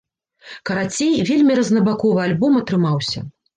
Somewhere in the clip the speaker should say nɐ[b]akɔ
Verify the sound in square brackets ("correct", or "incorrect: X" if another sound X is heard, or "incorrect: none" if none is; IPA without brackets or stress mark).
correct